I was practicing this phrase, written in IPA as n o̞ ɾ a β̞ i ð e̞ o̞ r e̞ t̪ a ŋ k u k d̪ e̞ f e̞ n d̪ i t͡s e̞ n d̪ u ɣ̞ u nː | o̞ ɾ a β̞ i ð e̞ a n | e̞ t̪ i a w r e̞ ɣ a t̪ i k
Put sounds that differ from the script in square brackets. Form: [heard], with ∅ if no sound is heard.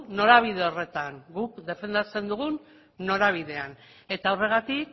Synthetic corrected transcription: n o̞ ɾ a β̞ i ð e̞ o̞ r e̞ t̪ a ŋ [ɡ] u k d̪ e̞ f e̞ n d̪ [a] t͡s e̞ n d̪ u ɣ̞ u nː | o̞ ɾ a β̞ i ð e̞ a n | e̞ t̪ [a] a w r e̞ ɣ a t̪ i k